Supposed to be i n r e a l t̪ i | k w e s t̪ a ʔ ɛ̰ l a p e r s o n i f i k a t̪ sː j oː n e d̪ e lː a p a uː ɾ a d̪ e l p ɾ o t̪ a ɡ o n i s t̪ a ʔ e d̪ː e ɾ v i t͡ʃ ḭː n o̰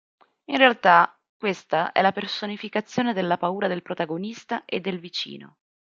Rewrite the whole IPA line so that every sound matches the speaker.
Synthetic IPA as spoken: i n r e a l t̪ a | k w e s t̪ a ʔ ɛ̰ l a p e r s o n i f i k a t̪ sː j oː n e d̪ e lː a p a uː ɾ a d̪ e l p ɾ o t̪ a ɡ o n i s t̪ a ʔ e d̪ː e l v i t͡ʃ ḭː n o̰